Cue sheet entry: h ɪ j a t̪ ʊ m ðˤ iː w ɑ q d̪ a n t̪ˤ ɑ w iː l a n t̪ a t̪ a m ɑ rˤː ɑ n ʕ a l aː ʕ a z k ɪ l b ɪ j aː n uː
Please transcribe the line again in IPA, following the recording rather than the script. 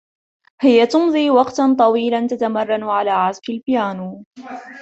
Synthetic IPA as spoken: h ɪ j a t̪ ʊ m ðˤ iː w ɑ q t̪ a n t̪ˤ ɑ w iː l a n t̪ a t̪ a m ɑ rˤː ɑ n ʕ a l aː ʕ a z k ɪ l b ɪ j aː n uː